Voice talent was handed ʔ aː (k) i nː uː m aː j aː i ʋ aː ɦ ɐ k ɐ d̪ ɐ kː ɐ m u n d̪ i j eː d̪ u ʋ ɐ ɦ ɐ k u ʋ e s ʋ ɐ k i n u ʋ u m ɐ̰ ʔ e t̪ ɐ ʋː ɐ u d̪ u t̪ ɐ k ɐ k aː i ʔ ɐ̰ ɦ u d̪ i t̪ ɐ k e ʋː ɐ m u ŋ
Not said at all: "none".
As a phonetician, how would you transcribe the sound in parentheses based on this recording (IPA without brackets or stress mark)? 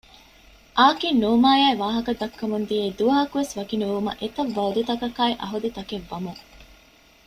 k